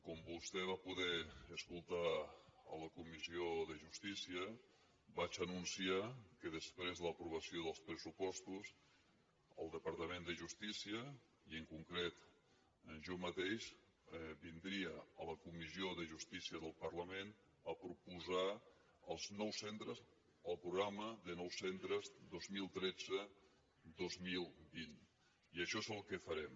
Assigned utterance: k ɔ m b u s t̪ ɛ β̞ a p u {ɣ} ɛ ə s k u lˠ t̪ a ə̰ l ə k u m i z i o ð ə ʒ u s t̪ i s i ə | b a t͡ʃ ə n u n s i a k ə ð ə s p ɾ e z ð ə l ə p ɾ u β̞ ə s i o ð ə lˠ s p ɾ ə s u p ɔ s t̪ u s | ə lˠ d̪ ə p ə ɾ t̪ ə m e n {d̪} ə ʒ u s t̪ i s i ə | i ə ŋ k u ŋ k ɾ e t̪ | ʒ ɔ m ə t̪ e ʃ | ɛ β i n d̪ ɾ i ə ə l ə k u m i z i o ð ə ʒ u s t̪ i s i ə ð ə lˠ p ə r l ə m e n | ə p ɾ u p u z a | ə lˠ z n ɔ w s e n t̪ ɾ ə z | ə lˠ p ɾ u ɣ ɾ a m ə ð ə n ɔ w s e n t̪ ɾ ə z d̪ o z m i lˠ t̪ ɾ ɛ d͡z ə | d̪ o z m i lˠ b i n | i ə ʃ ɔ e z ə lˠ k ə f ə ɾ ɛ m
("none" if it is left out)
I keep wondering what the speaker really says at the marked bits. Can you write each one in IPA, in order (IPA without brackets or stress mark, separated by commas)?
ð, d̪